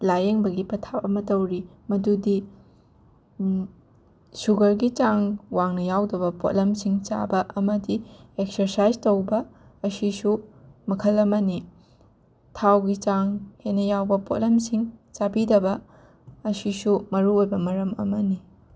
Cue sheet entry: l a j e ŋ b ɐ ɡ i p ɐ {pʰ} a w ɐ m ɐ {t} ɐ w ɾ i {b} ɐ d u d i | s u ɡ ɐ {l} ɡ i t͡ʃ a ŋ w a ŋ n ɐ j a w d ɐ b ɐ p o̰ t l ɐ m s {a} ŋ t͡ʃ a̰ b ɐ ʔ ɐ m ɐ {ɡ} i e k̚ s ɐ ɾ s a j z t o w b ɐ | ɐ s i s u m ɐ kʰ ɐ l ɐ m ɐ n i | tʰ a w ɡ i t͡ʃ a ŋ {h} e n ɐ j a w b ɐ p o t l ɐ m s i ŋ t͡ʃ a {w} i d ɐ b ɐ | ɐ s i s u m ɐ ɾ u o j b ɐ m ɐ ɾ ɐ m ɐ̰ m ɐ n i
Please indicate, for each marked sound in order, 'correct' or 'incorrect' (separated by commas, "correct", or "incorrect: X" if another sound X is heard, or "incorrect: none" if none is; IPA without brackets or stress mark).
incorrect: tʰ, correct, incorrect: m, incorrect: ɾ, incorrect: i, incorrect: d, correct, incorrect: b